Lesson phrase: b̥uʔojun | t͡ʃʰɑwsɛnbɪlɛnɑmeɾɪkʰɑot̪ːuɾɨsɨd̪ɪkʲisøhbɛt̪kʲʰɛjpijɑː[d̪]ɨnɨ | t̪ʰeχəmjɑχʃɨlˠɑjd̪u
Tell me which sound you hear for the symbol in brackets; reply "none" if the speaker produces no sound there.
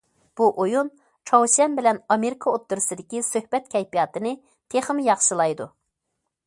t̪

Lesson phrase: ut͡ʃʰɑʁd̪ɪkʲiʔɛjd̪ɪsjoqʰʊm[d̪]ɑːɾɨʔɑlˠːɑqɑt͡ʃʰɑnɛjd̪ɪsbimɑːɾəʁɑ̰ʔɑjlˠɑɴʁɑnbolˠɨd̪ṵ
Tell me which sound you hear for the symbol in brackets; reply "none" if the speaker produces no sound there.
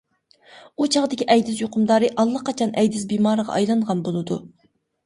d̪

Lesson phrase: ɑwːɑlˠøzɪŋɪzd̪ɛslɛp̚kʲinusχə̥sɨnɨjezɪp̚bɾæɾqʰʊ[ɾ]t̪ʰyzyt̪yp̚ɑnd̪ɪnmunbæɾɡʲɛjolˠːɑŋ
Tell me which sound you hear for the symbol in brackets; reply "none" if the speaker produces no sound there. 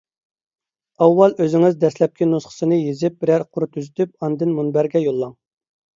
ɾ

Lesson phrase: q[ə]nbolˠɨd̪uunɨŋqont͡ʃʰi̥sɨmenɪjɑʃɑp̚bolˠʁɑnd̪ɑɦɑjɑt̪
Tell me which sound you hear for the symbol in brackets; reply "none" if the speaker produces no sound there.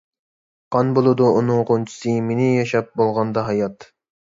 ɑ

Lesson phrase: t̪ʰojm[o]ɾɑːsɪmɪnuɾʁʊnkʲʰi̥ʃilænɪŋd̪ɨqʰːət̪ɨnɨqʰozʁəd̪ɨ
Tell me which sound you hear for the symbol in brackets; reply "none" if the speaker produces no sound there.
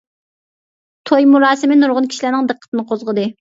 u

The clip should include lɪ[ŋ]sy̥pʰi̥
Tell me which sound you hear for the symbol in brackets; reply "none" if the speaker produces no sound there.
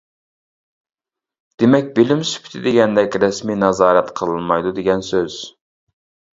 m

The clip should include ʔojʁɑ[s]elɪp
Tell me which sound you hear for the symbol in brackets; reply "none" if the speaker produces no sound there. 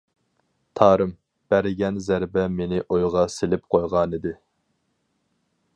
s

